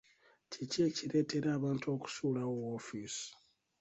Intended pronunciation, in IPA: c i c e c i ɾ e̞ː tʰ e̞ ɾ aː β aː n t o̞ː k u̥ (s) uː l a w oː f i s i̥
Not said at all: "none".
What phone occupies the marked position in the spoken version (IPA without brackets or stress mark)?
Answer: s